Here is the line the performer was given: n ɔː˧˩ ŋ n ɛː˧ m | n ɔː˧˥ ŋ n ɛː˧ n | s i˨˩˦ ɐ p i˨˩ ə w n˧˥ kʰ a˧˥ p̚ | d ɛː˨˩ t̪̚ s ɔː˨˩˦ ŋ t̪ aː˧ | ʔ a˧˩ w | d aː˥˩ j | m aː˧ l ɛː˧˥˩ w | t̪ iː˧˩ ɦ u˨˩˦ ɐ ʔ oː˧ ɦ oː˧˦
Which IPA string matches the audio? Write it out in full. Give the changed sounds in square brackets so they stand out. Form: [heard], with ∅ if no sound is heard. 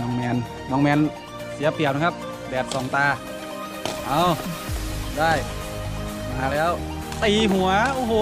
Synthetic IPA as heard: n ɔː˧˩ ŋ [m] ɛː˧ [n] | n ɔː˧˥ ŋ [m] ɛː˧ n | s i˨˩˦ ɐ p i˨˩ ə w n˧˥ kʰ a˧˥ p̚ | d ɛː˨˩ t̪̚ s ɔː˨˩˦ ŋ t̪ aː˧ | ʔ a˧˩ w | d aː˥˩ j | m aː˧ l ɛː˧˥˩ w | t̪ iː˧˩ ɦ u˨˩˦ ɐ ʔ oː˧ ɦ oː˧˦